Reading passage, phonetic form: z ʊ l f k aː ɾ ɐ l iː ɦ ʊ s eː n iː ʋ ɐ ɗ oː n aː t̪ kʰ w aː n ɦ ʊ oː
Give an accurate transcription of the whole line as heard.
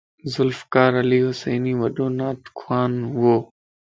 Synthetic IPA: z ʊ l f k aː ɾ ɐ l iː ɦ ʊ s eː n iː ʋ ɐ ɗ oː n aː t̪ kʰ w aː n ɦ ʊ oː

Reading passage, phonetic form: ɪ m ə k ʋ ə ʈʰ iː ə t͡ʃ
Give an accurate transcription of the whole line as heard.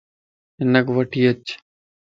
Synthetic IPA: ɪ n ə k ʋ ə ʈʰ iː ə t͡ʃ

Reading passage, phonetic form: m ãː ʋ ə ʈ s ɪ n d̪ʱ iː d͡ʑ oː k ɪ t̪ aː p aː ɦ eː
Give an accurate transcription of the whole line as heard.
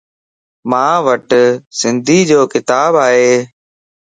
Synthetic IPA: m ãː ʋ ə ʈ s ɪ n d̪ʱ iː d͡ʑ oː k ɪ t̪ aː b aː ɦ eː

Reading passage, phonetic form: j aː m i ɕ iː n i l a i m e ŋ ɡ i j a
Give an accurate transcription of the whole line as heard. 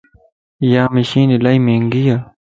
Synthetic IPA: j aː m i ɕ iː n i l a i m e ŋ ɡ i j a

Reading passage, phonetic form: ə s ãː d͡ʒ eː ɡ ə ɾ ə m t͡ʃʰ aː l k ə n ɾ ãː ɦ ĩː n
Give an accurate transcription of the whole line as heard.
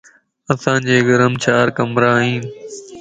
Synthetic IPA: ə s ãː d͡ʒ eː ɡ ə ɾ ə m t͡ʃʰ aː ɾ k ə m ɾ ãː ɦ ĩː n

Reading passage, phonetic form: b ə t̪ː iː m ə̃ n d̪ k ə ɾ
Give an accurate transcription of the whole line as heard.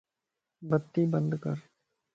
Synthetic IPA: b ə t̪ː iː b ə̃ n d̪ k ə ɾ

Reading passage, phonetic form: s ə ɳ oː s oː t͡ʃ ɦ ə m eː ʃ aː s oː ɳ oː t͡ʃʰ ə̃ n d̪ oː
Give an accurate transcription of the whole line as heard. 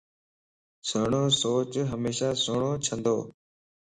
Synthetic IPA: s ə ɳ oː s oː t͡ʃ ɦ ə m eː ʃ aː s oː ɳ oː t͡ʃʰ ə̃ n d̪ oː

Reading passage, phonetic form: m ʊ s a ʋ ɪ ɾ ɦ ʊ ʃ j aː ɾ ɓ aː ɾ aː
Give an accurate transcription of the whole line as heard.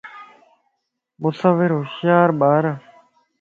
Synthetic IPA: m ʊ s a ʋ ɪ ɾ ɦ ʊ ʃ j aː ɾ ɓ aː ɾ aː

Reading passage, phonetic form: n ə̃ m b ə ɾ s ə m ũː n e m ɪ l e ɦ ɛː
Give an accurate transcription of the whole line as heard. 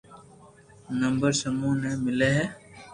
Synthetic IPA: n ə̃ m b ə ɾ s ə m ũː n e m ɪ l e ɦ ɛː

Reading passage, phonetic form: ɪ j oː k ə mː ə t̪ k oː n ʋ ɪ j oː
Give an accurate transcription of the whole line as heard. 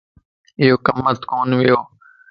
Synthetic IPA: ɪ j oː k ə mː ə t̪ k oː n ʋ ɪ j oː

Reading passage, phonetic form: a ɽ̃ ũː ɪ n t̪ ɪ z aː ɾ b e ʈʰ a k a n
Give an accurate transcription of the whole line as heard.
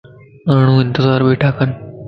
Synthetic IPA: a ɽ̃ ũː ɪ n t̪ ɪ z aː ɾ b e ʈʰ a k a n

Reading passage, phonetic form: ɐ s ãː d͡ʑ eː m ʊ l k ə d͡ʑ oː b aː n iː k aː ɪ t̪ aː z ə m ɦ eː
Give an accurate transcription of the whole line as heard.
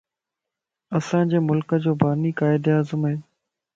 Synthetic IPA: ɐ s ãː d͡ʑ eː m ʊ l k ə d͡ʑ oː b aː n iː k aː ɪ d̪ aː z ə m ɦ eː

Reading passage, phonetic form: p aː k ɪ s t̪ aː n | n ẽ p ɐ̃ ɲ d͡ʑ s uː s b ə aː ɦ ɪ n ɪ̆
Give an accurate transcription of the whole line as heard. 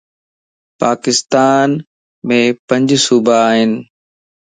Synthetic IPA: p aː k ɪ s t̪ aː n | m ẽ p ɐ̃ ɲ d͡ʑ s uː b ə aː ɦ ɪ n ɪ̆

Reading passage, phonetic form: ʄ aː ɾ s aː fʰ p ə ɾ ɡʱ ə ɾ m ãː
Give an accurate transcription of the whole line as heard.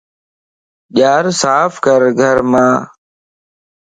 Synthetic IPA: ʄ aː ɾ s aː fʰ k ə ɾ ɡʱ ə ɾ m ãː

